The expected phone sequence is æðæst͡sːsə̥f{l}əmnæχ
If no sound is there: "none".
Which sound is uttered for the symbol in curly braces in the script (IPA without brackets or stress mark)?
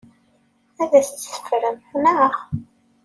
ɾ